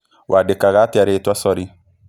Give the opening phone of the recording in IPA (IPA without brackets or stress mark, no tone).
w